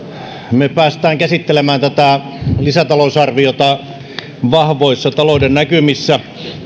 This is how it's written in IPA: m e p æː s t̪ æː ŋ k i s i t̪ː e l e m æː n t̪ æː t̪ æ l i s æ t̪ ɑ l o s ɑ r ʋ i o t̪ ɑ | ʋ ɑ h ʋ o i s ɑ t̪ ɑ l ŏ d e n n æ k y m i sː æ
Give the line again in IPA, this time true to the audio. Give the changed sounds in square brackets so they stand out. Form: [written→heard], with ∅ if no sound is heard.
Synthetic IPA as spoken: m e p æː s t̪ æː ŋ k [i→æ] s i t̪ː e l e m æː n t̪ [æː→æ] t̪ æ l i s æ t̪ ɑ l o s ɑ r ʋ i o t̪ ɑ | ʋ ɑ h ʋ o i [s→sː] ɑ t̪ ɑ l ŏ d e n n æ k y m i sː æ